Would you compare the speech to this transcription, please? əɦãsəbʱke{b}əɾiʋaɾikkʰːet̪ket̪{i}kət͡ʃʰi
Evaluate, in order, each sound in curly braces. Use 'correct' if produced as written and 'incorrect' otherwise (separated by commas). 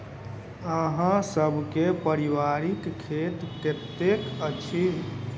incorrect, incorrect